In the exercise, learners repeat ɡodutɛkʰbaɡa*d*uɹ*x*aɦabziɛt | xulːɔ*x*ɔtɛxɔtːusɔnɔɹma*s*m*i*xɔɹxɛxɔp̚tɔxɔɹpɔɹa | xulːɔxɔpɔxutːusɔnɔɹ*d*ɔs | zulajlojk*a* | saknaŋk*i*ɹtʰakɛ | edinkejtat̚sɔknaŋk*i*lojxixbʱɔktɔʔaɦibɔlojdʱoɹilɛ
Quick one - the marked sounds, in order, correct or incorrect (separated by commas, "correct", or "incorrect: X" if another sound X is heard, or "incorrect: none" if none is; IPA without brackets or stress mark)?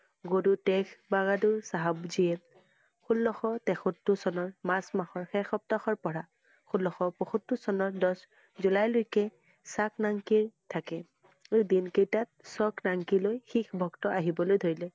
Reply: correct, incorrect: s, correct, correct, incorrect: a, correct, incorrect: ɛ, correct, correct